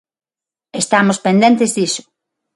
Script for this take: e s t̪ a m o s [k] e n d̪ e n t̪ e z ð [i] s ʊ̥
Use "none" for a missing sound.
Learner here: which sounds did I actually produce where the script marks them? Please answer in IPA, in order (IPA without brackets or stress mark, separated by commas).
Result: p, i